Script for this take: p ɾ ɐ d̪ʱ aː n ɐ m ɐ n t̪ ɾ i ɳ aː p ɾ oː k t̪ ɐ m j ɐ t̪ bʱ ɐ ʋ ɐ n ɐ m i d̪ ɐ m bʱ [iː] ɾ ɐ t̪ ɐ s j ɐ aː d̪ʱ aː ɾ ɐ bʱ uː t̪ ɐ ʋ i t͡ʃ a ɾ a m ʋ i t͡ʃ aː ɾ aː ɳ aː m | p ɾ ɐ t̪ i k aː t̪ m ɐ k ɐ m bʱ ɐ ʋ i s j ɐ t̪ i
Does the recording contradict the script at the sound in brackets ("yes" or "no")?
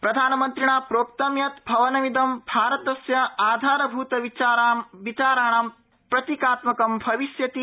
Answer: yes